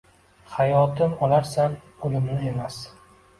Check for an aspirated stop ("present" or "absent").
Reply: absent